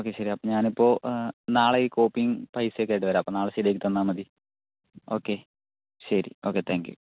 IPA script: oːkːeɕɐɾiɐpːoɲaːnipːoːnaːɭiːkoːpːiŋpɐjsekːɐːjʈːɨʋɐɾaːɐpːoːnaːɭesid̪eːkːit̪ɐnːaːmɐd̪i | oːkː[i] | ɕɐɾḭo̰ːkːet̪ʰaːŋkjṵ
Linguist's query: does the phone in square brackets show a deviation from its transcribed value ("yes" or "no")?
yes